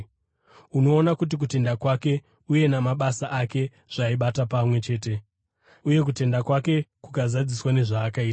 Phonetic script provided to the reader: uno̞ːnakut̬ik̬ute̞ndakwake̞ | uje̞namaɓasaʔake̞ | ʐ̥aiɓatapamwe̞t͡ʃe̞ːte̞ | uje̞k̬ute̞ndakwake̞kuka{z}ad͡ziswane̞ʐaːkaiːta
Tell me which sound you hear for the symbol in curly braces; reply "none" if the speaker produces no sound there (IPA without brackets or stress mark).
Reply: z